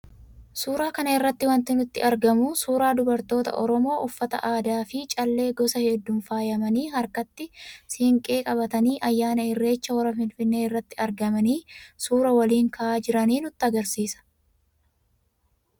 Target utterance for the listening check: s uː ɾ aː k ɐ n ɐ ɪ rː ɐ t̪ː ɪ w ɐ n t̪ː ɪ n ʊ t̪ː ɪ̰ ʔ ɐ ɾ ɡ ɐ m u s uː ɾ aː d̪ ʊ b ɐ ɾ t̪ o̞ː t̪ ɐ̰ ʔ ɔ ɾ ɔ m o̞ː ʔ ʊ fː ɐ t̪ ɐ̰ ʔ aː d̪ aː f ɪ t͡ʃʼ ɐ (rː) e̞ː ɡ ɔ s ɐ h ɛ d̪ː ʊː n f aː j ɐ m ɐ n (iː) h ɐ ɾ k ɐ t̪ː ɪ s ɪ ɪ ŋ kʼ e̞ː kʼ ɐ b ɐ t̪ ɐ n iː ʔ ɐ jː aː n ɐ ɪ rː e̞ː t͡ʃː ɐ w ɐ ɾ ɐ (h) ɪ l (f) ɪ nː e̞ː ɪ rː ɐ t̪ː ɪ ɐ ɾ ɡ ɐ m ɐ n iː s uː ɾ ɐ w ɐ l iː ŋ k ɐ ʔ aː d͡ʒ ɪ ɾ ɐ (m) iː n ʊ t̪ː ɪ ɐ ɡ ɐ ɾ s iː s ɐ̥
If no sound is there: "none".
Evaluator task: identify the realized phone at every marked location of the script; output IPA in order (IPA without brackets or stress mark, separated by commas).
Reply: lː, iː, f, f, n